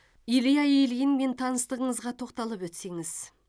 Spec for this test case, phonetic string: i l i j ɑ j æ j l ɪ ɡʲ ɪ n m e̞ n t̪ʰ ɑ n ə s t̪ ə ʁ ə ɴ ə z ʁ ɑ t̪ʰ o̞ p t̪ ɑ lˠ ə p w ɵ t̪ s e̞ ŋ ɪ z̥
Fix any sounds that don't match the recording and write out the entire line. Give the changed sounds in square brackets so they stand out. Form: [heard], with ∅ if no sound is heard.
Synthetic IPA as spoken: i l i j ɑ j [e] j l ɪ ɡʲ ɪ n m e̞ n t̪ʰ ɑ n ə s t̪ ə ʁ ə ɴ ə z ʁ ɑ t̪ʰ o̞ [q] t̪ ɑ lˠ ə p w ɵ t̪ s e̞ ŋ ɪ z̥